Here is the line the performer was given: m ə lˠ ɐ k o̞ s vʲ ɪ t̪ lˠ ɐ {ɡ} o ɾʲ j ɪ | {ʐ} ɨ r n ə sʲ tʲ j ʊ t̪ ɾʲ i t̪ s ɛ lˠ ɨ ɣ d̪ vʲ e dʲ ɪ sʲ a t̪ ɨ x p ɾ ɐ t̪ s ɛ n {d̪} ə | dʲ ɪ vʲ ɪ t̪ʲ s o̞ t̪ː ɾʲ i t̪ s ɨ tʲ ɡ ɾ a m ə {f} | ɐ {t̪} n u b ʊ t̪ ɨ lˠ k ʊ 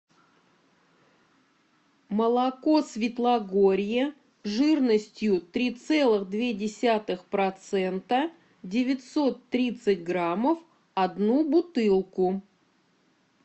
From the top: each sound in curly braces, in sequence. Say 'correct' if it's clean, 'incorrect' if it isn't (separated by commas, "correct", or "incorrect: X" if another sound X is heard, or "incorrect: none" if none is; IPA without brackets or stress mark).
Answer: correct, correct, incorrect: t̪, correct, incorrect: d̪